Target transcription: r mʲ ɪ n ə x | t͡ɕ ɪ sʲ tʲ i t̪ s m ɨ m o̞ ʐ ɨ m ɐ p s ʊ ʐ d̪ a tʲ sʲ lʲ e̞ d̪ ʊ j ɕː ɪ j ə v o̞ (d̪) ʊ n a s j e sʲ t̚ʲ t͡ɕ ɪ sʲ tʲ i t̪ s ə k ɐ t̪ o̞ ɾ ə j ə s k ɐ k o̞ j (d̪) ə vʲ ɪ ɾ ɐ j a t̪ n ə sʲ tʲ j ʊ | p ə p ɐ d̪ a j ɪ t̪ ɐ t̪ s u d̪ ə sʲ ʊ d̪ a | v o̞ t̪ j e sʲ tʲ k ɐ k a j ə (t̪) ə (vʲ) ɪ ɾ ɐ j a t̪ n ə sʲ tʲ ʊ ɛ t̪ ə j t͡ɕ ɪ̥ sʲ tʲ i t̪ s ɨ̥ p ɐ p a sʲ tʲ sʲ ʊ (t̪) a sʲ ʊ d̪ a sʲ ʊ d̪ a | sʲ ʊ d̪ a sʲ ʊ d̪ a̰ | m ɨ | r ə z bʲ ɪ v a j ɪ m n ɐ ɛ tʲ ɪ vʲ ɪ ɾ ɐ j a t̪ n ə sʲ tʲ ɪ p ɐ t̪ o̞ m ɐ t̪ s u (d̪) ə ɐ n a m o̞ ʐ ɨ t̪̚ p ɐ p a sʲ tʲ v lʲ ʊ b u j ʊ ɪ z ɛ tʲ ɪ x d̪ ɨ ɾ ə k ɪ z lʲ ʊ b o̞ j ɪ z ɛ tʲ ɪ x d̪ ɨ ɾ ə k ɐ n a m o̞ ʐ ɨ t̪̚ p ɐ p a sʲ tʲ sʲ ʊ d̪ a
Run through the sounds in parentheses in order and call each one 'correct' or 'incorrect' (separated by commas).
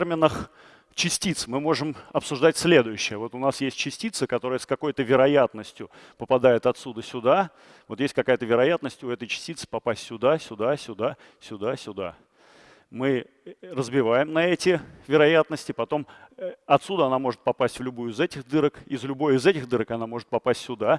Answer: incorrect, incorrect, correct, correct, incorrect, correct